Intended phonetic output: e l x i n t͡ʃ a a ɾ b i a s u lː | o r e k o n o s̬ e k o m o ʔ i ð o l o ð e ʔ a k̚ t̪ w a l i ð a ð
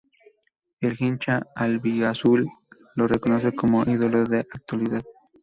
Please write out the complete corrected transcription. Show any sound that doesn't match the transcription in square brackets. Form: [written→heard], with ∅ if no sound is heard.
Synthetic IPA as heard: e l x i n t͡ʃ a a [ɾ→l] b i a s u lː | o r e k o n o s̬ e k o m o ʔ i ð o l o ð e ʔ a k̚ t̪ w a l i ð a ð